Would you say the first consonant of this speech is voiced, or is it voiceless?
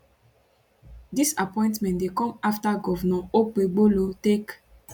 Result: voiced